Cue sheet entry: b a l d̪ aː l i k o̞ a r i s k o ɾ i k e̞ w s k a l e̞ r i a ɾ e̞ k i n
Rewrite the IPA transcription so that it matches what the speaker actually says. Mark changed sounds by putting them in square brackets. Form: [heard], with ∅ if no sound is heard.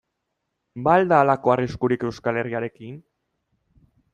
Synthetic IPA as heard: b a l d̪ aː l [a] k o̞ a r i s k [u] ɾ i k e̞ w s k a l e̞ r i a ɾ e̞ k i n